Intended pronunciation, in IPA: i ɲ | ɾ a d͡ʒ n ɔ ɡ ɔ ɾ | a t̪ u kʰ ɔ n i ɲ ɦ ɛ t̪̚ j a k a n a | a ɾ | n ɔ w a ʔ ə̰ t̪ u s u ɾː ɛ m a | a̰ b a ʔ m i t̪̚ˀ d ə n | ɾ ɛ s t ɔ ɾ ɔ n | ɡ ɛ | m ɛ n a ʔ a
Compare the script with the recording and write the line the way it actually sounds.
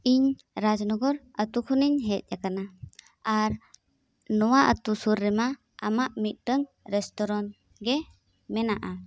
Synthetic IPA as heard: i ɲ | ɾ a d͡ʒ n ɔ ɡ ɔ ɾ | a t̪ u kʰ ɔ n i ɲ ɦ ɛ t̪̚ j a k a n a | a ɾ | n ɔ w a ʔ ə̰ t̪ u s u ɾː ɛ m a | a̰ m a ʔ m i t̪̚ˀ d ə ŋ | ɾ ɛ s t ɔ ɾ ɔ n | ɡ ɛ | m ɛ n a ʔ a